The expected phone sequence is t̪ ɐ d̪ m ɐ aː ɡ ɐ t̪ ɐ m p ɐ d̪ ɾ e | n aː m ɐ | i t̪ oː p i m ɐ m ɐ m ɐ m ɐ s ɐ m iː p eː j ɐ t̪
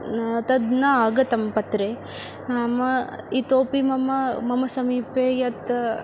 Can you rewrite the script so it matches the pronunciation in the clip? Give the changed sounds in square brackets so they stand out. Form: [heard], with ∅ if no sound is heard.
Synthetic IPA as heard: t̪ ɐ d̪ [n] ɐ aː ɡ ɐ t̪ ɐ m p ɐ [t̪] ɾ e | n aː m ɐ | i t̪ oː p i m ɐ m ɐ m ɐ m ɐ s ɐ m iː p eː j ɐ t̪

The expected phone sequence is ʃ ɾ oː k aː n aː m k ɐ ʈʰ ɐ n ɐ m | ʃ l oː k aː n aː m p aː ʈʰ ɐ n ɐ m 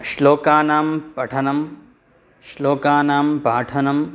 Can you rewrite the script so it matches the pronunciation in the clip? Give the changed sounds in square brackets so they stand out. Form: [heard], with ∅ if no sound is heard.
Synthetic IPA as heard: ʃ [l] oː k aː n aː m [p] ɐ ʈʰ ɐ n ɐ m | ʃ l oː k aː n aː m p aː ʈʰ ɐ n ɐ m

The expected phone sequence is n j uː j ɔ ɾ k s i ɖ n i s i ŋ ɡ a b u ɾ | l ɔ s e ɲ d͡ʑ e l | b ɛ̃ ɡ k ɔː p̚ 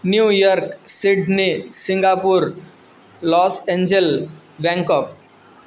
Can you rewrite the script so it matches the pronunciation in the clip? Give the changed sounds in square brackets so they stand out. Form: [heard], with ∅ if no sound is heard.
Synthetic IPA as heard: n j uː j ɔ ɾ k s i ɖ n i s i ŋ ɡ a [p] u ɾ | l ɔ s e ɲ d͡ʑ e l | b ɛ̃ [ŋ] k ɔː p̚

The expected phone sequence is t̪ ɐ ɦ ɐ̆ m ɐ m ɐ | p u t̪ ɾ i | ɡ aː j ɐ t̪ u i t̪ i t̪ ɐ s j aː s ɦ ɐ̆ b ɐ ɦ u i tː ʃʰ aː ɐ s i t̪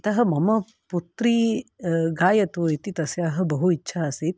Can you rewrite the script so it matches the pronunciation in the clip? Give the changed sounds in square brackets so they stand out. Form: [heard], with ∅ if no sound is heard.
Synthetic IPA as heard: t̪ ɐ ɦ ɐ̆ m ɐ m ɐ | p u t̪ ɾ i | ɡ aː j ɐ t̪ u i t̪ i t̪ ɐ s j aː [∅] ɦ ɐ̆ b ɐ ɦ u i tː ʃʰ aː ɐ s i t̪

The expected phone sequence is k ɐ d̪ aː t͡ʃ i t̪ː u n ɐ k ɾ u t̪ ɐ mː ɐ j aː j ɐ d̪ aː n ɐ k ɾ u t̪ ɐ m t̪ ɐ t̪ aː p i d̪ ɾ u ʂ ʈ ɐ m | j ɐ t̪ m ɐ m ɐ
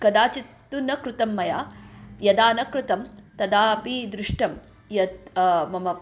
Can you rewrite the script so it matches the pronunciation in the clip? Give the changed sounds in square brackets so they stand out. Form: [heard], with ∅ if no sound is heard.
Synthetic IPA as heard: k ɐ d̪ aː t͡ʃ i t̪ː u n ɐ k ɾ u t̪ ɐ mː ɐ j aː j ɐ d̪ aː n ɐ k ɾ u t̪ ɐ m t̪ ɐ [d̪] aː p i d̪ ɾ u ʂ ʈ ɐ m | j ɐ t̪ m ɐ m ɐ

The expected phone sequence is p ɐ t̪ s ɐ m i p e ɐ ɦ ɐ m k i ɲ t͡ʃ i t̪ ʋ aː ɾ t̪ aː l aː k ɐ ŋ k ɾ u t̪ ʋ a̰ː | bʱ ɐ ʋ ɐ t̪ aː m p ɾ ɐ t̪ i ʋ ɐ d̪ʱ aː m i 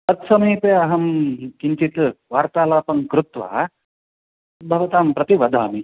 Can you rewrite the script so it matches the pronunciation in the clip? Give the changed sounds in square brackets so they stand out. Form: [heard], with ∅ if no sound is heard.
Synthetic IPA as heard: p ɐ t̪ s ɐ m [iː] p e ɐ ɦ ɐ m k i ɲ t͡ʃ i t̪ ʋ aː ɾ t̪ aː l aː [p] ɐ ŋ k ɾ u t̪ ʋ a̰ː | bʱ ɐ ʋ ɐ t̪ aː m p ɾ ɐ t̪ i ʋ ɐ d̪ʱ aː m i

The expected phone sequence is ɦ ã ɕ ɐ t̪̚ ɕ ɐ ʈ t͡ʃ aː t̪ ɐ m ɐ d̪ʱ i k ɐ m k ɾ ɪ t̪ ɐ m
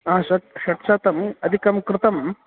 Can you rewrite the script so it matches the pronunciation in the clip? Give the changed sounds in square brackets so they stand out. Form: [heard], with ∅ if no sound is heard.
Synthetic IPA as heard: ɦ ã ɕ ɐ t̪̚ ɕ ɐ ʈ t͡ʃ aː t̪ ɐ m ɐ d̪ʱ i k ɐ m k ɾ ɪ t̪ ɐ m

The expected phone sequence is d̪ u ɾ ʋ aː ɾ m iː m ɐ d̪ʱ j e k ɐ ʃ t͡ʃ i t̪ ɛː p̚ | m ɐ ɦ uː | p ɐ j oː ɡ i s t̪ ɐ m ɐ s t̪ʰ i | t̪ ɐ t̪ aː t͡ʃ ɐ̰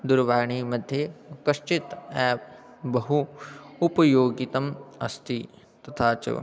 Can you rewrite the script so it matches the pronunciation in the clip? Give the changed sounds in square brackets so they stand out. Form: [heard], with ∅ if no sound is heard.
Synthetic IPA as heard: d̪ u ɾ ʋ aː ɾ [ɳ] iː m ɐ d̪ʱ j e k ɐ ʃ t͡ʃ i t̪ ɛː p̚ | [b] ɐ ɦ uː | p ɐ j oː ɡ i [∅] t̪ ɐ m ɐ s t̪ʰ i | t̪ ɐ [t̪ʰ] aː t͡ʃ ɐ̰

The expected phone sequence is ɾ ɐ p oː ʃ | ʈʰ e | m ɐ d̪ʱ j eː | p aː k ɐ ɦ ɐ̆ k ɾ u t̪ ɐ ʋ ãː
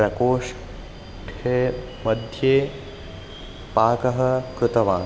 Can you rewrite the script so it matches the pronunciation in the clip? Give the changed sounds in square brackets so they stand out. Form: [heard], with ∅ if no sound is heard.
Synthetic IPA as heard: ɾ ɐ [k] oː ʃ | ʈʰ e | m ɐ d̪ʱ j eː | p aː k ɐ ɦ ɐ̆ k ɾ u t̪ ɐ ʋ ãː

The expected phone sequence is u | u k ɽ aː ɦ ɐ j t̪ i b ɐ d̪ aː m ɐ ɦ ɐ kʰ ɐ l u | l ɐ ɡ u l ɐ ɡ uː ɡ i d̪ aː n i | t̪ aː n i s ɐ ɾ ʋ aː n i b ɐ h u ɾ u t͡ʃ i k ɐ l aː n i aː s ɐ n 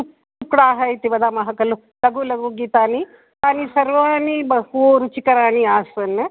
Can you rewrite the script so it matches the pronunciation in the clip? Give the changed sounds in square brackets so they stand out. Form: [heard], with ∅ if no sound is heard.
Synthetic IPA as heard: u | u k ɽ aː ɦ ɐ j t̪ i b ɐ d̪ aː m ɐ ɦ ɐ [k] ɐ l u | l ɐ ɡ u l ɐ ɡ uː ɡ i [t̪] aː n i | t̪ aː n i s ɐ ɾ ʋ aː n i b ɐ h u ɾ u t͡ʃ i k ɐ [ɾ] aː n i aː s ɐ n

